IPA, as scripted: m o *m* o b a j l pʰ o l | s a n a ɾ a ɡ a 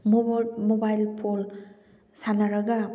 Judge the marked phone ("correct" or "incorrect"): correct